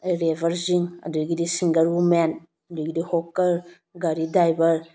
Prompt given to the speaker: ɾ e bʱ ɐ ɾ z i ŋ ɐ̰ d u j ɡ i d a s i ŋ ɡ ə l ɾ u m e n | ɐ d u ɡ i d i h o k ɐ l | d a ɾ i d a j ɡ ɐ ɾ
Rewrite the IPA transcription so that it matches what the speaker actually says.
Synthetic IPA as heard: ɾ e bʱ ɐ ɾ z i ŋ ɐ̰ d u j ɡ i d i s i ŋ ɡ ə ɾ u m e n | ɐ d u ɡ i d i h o k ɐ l | ɡ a ɾ i d a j b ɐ ɾ